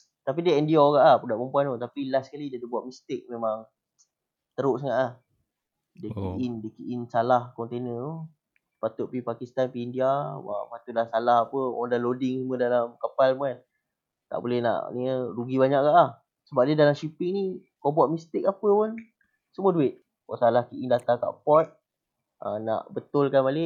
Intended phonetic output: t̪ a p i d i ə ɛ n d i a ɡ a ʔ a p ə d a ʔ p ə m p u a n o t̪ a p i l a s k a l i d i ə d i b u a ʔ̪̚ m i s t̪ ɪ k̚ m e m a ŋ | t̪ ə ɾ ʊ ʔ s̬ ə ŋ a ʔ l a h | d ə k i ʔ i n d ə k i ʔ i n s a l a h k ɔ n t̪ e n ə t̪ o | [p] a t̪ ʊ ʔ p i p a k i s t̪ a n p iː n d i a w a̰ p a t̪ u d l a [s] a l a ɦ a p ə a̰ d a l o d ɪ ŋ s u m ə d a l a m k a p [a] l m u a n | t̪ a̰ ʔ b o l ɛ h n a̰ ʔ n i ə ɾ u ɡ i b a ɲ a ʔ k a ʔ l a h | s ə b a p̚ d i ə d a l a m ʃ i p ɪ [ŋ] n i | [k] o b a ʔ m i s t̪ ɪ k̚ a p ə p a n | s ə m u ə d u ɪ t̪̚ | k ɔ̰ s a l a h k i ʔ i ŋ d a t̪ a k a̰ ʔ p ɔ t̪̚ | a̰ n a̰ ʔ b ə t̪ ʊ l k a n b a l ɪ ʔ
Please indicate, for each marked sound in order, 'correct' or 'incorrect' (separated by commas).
correct, correct, correct, correct, correct